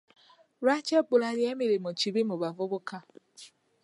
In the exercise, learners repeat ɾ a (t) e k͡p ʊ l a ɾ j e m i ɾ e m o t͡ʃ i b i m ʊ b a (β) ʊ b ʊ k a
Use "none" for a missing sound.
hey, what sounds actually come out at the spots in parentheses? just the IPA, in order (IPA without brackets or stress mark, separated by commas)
t͡ʃ, v